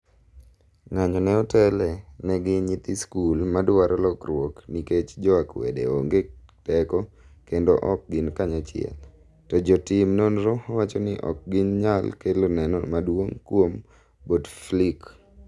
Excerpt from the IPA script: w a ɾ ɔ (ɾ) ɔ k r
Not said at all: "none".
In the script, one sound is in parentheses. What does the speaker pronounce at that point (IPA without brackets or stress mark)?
l